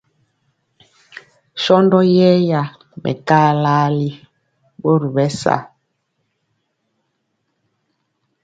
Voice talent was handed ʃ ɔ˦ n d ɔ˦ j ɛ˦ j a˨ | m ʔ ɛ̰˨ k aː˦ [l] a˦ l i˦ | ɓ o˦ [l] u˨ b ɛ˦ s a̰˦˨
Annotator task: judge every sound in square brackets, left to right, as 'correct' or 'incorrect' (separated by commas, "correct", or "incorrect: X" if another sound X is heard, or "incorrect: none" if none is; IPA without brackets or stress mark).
correct, incorrect: ɾ